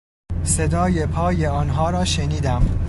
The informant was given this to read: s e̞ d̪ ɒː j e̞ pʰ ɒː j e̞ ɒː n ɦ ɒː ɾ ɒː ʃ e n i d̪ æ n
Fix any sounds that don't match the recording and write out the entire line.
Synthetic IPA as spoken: s e̞ d̪ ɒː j e̞ pʰ ɒː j e̞ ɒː n ɦ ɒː ɾ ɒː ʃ e n iː d̪ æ m

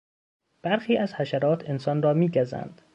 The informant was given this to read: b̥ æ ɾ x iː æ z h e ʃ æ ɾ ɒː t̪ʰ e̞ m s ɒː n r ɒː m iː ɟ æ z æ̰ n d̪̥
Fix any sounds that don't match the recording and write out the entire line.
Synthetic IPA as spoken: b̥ æ ɾ x iː æ z h æ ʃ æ ɾ ɒː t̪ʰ e̞ n s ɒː n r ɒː m iː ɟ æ z æ̰ n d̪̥

